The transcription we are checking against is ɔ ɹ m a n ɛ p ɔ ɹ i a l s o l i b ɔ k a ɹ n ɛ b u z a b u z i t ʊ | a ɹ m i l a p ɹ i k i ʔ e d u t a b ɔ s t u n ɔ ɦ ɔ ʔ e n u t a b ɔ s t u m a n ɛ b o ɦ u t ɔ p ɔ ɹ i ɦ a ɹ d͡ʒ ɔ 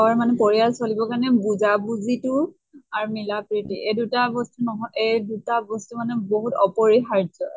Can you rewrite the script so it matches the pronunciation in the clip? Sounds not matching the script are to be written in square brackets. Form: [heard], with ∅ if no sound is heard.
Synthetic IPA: ɔ ɹ m a n ɛ p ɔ ɹ i a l s o l i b ɔ k a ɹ n ɛ b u z a b u z i t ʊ | a ɹ m i l a p ɹ i [t] i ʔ e d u t a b ɔ s t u n ɔ ɦ ɔ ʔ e [d] u t a b ɔ s t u m a n ɛ b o ɦ u t ɔ p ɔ ɹ i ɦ a ɹ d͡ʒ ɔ